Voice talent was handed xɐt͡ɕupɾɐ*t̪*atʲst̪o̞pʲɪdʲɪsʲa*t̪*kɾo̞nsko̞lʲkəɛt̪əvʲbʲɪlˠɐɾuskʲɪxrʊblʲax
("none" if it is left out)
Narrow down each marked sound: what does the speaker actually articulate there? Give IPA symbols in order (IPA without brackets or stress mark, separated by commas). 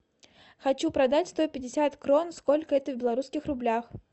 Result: d̪, t̪